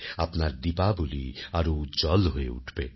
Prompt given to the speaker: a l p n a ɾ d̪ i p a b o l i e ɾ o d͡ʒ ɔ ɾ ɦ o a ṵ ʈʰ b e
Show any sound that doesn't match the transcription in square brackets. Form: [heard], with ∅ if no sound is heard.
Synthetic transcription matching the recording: a [∅] p n a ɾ d̪ i p a b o l i [a] ɾ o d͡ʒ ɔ [l] ɦ o [e] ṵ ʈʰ b e